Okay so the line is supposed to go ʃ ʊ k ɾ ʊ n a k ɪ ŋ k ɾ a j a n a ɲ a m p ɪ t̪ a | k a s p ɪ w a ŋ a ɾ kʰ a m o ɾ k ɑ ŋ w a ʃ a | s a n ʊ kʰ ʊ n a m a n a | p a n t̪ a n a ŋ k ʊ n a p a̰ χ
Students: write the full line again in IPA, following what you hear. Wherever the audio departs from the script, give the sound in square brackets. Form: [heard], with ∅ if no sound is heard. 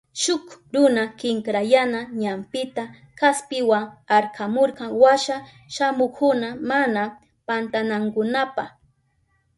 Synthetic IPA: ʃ ʊ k ɾ ʊ n a k ɪ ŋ k ɾ a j a n a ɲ a m p ɪ t̪ a | k a s p ɪ w a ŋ a ɾ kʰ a m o ɾ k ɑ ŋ w a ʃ a | [ʃ] a [m] ʊ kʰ ʊ n a m a n a | p a n t̪ a n a ŋ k ʊ n a p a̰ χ